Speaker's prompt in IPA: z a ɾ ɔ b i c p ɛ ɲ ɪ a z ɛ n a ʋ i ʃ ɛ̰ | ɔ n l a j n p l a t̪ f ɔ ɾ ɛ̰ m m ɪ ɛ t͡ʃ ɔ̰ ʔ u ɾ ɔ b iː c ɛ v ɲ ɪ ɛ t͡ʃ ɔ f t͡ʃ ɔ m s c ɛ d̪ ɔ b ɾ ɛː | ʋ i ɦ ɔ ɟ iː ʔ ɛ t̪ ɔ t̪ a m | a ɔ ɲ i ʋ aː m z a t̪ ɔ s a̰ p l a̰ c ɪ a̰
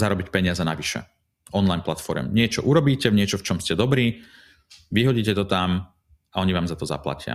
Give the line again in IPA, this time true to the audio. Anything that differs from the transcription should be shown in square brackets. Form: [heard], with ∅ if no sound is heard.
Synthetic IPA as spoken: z a ɾ ɔ b i c p ɛ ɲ ɪ a z ɛ n a ʋ i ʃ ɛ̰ | ɔ n l a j n p l a t̪ f ɔ ɾ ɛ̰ m [ɲ] ɪ ɛ t͡ʃ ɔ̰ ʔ u ɾ ɔ b iː c ɛ v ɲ ɪ ɛ t͡ʃ ɔ f t͡ʃ ɔ m s c ɛ d̪ ɔ b ɾ [iː] | ʋ i ɦ ɔ ɟ iː [c] ɛ t̪ ɔ t̪ a m | a ɔ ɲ i ʋ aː m z a t̪ ɔ [z] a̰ p l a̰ c ɪ a̰